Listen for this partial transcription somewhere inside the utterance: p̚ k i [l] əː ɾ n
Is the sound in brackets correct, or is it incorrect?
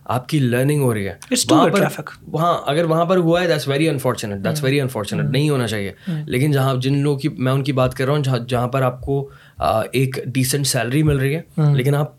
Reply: correct